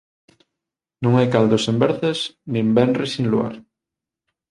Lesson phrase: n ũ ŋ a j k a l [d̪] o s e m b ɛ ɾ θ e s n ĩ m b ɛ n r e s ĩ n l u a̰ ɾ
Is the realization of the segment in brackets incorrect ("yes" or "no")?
no